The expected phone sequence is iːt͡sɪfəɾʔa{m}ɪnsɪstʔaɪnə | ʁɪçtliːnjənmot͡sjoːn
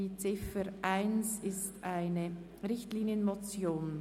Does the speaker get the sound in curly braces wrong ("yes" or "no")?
yes